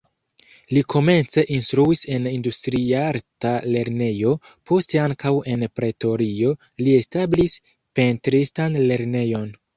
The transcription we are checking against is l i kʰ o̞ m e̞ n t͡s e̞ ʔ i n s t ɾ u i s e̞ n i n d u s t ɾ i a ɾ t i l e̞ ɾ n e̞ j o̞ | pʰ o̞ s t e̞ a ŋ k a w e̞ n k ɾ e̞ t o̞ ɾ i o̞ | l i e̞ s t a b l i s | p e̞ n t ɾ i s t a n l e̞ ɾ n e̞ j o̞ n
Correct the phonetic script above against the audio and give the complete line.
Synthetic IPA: l i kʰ o̞ m e̞ n t͡s e̞ ʔ i n s t ɾ u i s e̞ n i n d u s t ɾ i a ɾ t a l e̞ ɾ n e̞ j o̞ | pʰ o̞ s t e̞ a ŋ k a w e̞ n p ɾ e̞ t o̞ ɾ i o̞ | l i e̞ s t a b l i s | p e̞ n t ɾ i s t a n l e̞ ɾ n e̞ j o̞ n